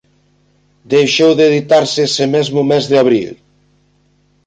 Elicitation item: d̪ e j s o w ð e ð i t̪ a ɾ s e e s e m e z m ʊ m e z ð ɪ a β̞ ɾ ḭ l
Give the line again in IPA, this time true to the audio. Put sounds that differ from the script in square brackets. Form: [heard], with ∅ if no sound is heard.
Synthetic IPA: d̪ e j [ʃ] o w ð e ð i t̪ a ɾ s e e s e m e z m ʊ m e z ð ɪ a β̞ ɾ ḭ l